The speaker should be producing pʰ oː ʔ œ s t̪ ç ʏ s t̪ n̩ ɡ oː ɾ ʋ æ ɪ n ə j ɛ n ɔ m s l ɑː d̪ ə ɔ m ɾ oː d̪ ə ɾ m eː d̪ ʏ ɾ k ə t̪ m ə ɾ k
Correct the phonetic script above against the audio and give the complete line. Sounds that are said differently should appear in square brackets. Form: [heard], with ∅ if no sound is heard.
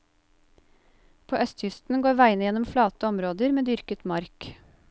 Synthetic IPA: pʰ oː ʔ œ s t̪ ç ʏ s t̪ n̩ ɡ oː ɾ ʋ æ ɪ n ə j ɛ n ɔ m [f] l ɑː [t̪] ə ɔ m ɾ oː d̪ ə ɾ m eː d̪ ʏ ɾ k ə t̪ m [ɑ] ɾ k